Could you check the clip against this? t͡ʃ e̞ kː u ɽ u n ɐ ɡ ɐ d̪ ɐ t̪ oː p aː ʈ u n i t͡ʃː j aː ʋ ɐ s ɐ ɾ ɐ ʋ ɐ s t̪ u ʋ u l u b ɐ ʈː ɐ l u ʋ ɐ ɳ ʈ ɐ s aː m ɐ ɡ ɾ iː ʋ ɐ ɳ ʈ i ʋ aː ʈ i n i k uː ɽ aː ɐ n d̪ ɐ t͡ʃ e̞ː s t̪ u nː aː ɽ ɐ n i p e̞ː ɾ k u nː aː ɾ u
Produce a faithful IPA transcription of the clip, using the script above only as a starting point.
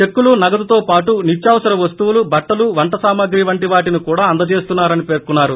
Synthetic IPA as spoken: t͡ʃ e̞ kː u l u n ɐ ɡ ɐ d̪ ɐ t̪ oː p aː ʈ u n i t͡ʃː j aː ʋ ɐ s ɐ ɾ ɐ ʋ ɐ s t̪ u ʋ u l u b ɐ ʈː ɐ l u ʋ ɐ ɳ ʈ ɐ s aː m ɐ ɡ ɾ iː ʋ ɐ ɳ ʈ i ʋ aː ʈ i n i k uː ɽ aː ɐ n d̪ ɐ t͡ʃ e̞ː s t̪ u nː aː ɾ ɐ n i p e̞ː ɾ k u nː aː ɾ u